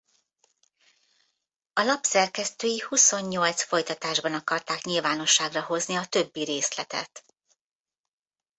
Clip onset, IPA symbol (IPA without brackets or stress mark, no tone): ɒ